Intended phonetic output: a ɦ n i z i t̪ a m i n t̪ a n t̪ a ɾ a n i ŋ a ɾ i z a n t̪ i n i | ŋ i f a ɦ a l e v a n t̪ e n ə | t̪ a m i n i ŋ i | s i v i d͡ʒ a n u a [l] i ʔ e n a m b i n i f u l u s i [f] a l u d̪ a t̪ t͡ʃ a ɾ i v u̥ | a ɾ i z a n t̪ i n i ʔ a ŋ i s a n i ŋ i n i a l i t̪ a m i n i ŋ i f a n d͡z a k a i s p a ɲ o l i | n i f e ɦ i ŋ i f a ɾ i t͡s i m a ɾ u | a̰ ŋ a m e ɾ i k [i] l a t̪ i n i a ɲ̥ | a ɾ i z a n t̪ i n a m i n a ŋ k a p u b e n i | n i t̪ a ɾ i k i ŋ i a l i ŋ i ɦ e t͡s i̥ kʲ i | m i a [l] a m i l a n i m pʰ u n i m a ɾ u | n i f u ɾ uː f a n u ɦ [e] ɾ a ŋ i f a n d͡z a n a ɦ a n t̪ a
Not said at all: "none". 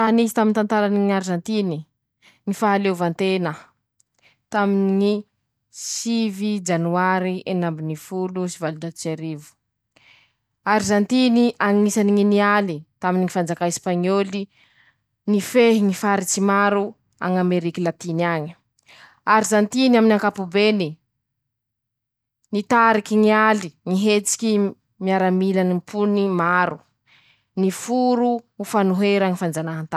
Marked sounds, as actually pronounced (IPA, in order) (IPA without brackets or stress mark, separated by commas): ɾ, v, i, ɾ, e